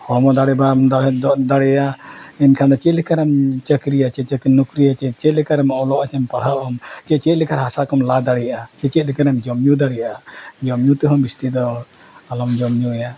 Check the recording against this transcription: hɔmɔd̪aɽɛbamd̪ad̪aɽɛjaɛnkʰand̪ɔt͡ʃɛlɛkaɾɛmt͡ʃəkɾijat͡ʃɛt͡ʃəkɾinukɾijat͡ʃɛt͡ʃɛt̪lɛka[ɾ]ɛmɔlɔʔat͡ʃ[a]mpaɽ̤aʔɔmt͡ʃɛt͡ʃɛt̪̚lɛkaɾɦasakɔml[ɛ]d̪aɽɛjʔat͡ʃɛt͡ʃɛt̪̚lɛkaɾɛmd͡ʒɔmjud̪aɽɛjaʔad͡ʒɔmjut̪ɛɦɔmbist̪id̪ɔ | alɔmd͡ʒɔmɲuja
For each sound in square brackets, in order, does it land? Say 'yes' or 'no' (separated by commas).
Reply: yes, no, no